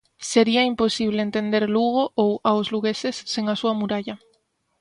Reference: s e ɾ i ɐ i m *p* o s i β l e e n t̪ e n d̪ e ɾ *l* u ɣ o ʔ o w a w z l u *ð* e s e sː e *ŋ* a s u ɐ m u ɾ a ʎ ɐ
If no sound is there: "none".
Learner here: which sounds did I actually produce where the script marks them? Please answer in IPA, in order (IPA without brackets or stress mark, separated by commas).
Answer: p, l, ɣ, ŋ